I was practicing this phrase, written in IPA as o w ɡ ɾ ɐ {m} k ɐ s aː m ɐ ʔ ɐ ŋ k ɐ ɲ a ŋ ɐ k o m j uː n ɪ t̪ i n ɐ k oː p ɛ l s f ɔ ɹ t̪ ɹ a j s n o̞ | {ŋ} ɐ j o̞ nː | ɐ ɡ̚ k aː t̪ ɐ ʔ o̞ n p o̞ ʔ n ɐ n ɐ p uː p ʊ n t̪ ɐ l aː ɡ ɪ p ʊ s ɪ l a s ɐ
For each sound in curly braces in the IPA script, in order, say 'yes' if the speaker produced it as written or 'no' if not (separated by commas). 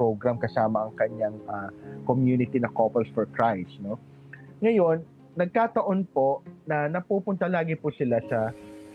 yes, yes